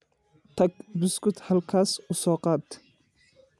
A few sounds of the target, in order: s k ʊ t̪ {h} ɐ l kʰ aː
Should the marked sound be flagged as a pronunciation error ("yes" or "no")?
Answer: no